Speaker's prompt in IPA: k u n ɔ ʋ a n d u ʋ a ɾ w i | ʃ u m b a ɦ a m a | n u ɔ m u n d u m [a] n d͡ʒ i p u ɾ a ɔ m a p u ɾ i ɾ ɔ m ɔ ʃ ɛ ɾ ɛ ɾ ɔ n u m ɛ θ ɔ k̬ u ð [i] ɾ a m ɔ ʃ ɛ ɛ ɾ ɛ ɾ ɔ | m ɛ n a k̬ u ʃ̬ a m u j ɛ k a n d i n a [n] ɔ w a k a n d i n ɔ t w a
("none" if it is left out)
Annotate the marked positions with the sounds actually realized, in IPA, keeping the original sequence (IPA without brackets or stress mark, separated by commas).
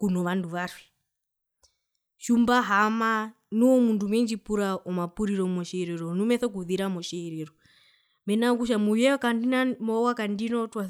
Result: ɛ, i, m